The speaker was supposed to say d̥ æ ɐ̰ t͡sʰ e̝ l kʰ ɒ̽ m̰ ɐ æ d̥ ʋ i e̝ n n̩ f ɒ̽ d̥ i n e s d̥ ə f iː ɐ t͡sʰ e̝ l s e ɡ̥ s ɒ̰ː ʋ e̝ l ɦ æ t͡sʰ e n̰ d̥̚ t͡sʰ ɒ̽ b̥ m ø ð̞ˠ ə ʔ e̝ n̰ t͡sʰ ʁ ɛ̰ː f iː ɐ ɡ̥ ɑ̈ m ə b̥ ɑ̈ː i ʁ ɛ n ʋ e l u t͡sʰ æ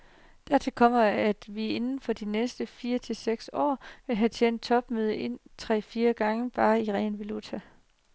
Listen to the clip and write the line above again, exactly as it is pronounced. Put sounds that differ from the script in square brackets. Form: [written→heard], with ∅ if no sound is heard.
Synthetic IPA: d̥ æ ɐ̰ t͡sʰ e̝ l kʰ ɒ̽ m̰ ɐ æ d̥ ʋ i e̝ n n̩ f ɒ̽ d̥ i n e s d̥ ə f iː ɐ t͡sʰ e̝ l s e ɡ̥ s ɒ̰ː ʋ e̝ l ɦ æ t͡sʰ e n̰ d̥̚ t͡sʰ ɒ̽ b̥ m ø ð̞ˠ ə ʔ e̝ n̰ t͡sʰ ʁ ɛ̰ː f iː ɐ ɡ̥ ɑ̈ [m→ŋ] ə b̥ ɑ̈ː i ʁ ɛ n ʋ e l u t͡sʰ æ